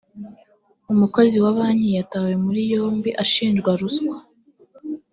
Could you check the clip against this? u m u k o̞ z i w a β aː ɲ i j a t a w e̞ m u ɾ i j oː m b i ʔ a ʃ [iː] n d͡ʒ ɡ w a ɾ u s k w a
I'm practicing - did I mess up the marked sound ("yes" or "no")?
no